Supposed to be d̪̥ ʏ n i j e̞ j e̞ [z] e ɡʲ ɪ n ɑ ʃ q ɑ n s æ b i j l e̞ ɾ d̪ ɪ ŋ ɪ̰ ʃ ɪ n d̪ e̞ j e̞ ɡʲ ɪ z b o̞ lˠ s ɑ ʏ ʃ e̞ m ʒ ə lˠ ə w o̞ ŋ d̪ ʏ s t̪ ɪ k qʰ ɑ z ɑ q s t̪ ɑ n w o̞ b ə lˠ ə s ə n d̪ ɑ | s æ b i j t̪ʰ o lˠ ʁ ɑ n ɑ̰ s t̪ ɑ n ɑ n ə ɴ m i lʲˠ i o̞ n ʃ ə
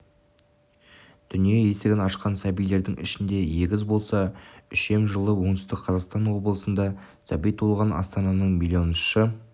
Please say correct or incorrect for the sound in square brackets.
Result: incorrect